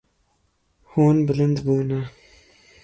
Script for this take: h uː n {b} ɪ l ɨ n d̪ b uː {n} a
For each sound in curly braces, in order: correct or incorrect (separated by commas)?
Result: correct, correct